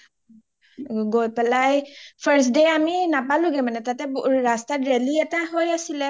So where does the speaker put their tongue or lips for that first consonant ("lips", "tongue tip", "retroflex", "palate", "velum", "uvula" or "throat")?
velum